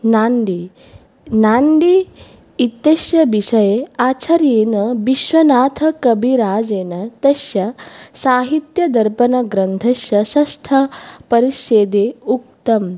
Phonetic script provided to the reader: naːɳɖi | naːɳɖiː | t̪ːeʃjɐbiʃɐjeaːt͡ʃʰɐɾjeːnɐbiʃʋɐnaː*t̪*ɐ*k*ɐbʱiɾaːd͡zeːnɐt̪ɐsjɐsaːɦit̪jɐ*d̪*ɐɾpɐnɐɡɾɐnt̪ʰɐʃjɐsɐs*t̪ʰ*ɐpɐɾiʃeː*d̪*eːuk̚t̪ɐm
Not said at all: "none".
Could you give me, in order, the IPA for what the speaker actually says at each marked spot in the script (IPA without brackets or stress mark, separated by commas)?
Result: t̪ʰ, k, d̪, t̪ʰ, d̪